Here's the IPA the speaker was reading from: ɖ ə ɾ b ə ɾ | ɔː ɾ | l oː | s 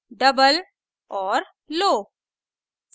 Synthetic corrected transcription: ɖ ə b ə l | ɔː ɾ | l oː | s